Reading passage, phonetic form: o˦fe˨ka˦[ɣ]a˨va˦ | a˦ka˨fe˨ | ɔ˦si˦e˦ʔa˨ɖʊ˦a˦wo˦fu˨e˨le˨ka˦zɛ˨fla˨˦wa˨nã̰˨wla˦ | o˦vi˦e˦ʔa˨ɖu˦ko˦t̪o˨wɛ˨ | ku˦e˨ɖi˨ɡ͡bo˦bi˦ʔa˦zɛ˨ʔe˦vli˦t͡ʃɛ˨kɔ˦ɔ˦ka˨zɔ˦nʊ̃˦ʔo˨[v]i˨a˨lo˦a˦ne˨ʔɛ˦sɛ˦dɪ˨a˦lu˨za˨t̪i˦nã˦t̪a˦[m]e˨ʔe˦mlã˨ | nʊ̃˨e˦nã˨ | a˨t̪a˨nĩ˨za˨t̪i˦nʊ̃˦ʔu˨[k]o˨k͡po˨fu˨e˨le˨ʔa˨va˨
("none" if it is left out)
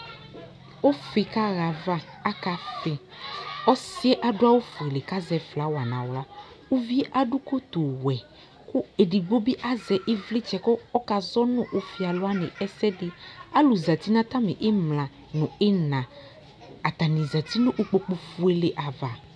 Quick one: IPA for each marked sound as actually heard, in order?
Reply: ɣ, f, m, k͡p

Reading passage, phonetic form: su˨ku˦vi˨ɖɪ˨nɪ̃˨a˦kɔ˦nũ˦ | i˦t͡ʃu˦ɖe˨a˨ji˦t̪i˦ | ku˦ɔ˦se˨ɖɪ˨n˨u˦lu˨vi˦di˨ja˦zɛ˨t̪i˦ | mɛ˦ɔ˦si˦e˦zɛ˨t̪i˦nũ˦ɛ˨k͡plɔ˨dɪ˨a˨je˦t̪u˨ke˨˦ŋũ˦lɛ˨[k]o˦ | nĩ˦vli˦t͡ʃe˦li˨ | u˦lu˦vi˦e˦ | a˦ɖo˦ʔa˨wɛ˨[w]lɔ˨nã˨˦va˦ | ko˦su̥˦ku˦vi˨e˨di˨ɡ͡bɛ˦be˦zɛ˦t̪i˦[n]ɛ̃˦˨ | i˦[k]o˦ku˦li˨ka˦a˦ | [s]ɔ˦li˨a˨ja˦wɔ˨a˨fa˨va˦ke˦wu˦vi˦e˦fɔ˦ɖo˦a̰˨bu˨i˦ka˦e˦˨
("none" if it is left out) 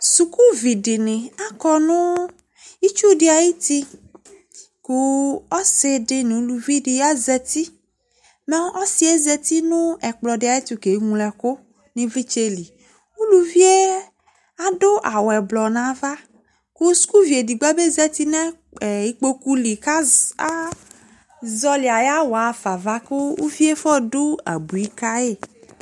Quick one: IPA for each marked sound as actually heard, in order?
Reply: k, b, n, k͡p, z

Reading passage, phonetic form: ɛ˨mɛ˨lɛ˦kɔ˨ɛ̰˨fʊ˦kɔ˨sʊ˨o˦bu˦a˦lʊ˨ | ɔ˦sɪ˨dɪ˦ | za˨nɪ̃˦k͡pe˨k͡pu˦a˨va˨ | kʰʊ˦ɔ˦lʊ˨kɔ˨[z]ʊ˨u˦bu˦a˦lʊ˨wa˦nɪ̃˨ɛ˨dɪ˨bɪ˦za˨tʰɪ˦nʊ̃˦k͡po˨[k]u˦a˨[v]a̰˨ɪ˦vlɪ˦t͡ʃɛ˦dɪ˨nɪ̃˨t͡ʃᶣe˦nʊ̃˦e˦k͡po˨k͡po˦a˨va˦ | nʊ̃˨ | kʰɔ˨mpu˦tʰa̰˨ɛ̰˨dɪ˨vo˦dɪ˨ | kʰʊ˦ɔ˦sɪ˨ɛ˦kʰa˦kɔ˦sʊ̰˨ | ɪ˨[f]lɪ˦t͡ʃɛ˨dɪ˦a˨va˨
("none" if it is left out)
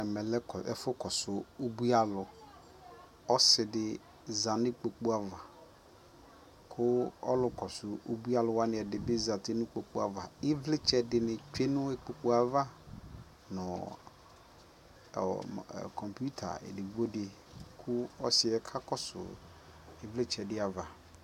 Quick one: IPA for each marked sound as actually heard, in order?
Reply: s, k͡p, v, v

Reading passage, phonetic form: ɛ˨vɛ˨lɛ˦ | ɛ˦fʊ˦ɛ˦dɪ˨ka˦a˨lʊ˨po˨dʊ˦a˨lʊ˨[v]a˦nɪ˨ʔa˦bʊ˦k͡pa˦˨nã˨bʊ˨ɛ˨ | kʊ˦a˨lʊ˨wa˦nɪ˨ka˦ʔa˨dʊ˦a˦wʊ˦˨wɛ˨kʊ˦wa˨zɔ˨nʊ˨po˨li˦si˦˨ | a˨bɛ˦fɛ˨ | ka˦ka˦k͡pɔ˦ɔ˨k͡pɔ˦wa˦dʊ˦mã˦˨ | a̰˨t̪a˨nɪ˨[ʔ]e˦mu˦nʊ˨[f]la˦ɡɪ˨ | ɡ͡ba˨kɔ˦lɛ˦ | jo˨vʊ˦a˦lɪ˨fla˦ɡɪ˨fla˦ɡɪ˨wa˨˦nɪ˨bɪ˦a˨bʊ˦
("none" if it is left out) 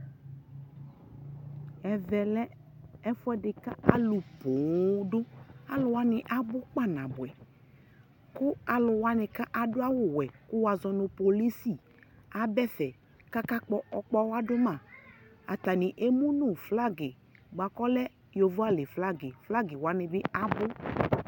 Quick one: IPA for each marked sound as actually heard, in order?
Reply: w, ʔ, f

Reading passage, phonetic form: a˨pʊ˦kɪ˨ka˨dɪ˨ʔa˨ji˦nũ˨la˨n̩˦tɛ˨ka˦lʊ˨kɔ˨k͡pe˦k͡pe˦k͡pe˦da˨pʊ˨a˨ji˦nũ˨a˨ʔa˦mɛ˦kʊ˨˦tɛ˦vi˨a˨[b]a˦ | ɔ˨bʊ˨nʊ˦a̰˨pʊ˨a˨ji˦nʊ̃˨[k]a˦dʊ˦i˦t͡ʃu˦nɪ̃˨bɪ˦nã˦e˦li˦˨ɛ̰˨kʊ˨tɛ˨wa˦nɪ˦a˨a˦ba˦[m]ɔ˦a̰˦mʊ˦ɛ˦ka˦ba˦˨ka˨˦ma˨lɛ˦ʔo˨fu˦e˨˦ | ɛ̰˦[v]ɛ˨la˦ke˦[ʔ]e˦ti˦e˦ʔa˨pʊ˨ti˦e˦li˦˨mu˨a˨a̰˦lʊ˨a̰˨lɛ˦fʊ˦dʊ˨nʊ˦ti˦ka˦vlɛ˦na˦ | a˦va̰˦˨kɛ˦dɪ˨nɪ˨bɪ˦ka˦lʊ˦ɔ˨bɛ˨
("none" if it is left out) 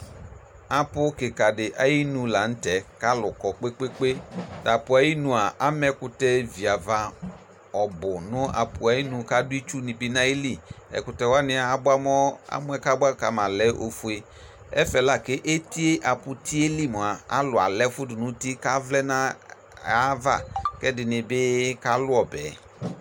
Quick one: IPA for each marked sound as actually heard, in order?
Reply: v, k, m, f, ʔ

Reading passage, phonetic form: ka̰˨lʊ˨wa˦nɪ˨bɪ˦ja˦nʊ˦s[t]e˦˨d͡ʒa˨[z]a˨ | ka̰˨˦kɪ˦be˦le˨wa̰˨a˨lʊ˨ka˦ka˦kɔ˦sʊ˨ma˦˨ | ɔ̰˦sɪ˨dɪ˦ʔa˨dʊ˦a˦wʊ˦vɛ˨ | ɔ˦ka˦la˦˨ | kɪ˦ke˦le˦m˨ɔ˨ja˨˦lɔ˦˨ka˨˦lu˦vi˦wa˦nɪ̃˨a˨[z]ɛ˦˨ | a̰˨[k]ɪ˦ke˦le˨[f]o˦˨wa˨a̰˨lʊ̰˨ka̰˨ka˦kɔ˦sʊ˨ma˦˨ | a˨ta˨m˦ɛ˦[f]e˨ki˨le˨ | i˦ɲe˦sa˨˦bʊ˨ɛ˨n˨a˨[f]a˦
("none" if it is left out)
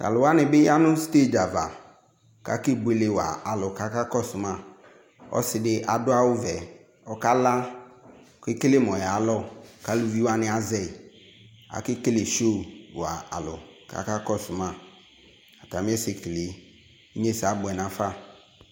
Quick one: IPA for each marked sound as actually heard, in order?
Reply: t, v, z, k, ʃ, s, f

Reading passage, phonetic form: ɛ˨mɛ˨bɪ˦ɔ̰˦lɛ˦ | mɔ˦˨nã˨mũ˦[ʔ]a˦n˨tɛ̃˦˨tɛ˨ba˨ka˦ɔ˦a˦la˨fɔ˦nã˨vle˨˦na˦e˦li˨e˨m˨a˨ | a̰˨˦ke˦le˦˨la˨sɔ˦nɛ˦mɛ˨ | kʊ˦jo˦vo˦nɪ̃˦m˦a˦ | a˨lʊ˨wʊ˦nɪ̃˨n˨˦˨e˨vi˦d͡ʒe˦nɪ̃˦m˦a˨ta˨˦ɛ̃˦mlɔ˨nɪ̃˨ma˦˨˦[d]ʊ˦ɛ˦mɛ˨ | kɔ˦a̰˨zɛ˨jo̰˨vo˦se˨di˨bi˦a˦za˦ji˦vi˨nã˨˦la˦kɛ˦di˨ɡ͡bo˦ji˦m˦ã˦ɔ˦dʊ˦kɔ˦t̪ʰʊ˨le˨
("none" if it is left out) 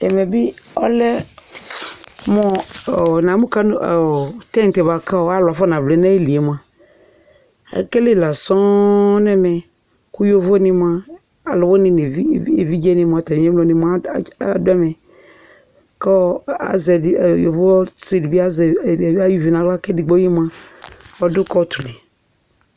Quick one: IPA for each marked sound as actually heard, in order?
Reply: k, d

